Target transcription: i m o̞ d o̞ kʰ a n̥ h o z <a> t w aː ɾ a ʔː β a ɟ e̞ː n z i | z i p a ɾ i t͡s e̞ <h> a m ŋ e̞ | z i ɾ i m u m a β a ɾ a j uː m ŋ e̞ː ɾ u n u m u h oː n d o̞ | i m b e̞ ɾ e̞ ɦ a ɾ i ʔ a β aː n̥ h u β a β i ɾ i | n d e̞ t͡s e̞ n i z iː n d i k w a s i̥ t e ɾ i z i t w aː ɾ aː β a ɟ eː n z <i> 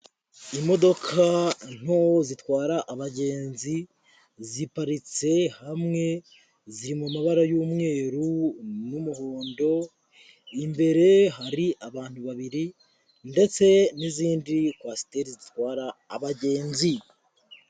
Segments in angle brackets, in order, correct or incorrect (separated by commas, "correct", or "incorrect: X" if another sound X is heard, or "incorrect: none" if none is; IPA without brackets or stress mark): incorrect: i, correct, correct